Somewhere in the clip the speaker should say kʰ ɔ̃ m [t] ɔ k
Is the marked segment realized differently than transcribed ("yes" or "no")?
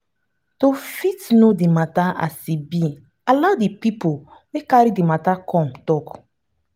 no